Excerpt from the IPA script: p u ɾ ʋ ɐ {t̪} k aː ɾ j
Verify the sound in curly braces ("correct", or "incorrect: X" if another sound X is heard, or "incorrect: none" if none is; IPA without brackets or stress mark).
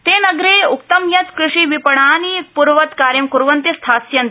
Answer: correct